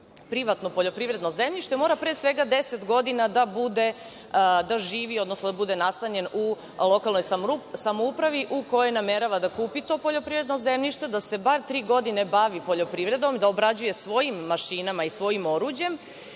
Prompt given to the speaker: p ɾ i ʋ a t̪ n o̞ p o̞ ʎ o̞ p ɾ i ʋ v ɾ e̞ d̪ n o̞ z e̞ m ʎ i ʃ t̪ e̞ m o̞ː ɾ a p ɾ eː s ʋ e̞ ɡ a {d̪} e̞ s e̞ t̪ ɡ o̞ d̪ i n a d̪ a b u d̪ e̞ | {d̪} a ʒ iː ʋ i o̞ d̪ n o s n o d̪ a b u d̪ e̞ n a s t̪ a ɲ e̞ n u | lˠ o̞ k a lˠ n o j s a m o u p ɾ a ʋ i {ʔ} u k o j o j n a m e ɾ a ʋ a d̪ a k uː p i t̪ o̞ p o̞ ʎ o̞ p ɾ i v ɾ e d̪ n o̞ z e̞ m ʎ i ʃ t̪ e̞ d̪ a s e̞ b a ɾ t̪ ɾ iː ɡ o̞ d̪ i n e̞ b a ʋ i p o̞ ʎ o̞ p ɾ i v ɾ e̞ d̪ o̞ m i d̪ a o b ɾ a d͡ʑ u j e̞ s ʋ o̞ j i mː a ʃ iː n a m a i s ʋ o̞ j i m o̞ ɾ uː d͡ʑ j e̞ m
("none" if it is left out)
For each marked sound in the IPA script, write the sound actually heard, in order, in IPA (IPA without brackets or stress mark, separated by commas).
d̪, d̪, ʔ